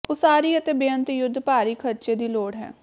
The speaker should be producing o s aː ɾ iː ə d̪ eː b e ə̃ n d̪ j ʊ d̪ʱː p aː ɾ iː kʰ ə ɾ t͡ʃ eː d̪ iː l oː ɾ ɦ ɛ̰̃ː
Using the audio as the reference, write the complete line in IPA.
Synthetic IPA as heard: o s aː ɾ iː ə t̪ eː b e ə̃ n t̪ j ʊ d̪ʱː p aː ɾ iː kʰ ə ɾ t͡ʃ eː d̪ iː l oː ɽ ɦ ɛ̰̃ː